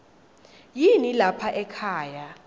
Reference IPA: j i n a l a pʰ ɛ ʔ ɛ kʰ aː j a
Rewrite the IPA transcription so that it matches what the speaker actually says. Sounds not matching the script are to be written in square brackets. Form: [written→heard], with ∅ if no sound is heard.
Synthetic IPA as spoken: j i n [a→i] l a pʰ [ɛ→a] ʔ ɛ kʰ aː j a